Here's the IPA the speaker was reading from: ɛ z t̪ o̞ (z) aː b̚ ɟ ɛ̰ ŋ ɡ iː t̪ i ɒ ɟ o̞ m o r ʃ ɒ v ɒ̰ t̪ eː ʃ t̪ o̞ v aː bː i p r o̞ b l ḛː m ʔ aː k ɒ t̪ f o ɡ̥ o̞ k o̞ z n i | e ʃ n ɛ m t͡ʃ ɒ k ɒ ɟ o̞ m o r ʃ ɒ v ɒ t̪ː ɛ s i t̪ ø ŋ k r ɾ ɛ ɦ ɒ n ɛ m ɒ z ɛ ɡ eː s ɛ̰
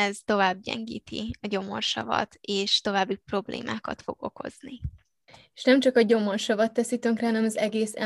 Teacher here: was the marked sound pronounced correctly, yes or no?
no